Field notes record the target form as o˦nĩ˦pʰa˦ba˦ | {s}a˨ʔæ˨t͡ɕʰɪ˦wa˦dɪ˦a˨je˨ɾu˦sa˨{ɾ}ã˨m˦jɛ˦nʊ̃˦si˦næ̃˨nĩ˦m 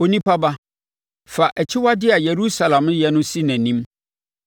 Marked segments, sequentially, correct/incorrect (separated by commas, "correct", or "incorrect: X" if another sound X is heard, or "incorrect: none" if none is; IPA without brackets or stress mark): incorrect: f, incorrect: l